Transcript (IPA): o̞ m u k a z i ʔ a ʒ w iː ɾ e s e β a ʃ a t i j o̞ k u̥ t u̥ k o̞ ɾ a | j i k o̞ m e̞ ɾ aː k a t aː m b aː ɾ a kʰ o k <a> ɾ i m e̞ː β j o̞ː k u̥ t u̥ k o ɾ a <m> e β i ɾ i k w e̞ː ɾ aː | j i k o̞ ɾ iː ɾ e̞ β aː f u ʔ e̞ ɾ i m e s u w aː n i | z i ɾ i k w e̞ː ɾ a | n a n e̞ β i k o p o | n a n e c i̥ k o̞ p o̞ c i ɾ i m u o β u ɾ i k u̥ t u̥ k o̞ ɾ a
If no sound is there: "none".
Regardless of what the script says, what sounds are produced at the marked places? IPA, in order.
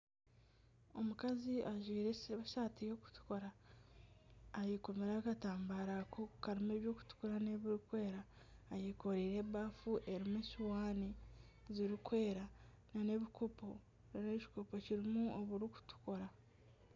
a, n

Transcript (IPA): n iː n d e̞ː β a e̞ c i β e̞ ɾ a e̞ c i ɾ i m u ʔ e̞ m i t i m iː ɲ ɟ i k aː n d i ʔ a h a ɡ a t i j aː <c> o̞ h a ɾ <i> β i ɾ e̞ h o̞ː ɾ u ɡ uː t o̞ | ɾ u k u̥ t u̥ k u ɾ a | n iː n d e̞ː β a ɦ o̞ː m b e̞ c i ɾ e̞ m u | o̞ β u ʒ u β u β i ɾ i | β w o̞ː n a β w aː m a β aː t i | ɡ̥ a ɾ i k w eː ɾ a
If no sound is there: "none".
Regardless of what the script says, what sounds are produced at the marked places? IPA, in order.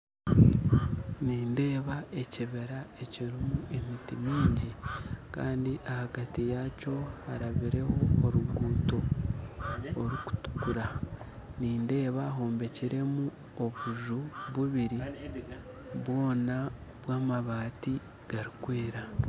c, a

